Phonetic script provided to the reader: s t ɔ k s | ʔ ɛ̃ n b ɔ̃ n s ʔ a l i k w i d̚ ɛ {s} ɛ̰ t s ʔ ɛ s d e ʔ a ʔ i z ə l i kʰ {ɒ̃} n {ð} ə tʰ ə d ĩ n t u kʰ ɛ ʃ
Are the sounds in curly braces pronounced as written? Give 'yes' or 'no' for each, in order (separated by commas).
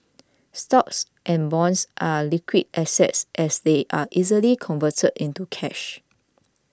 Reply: yes, no, no